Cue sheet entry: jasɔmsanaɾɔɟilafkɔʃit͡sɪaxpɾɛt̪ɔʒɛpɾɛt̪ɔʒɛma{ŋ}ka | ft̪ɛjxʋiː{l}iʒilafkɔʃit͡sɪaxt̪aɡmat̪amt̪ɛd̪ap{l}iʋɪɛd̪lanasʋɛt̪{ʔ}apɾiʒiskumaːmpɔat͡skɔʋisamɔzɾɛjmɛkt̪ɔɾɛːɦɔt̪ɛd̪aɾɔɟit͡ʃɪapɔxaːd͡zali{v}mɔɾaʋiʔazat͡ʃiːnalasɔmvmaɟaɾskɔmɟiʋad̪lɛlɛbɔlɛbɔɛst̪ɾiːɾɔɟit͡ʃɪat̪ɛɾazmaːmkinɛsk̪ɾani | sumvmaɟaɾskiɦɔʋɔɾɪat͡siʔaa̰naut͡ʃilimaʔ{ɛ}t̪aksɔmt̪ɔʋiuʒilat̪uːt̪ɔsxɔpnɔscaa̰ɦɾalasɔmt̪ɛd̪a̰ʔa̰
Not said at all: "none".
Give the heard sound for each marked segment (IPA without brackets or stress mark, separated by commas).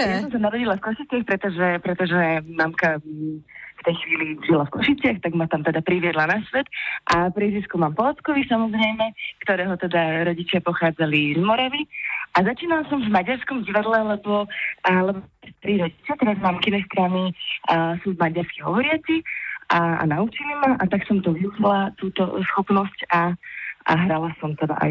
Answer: m, l, ɾ, ʔ, z, a